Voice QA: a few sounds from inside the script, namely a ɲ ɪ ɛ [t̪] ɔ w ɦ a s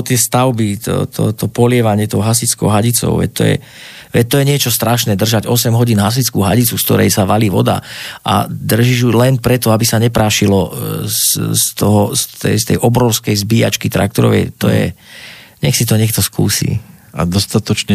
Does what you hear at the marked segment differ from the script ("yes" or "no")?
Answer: no